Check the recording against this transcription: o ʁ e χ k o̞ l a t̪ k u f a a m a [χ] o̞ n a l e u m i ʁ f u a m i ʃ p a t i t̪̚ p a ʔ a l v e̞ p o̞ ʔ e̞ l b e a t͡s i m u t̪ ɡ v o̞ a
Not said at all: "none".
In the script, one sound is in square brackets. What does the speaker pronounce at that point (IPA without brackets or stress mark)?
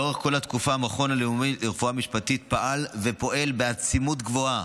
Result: χ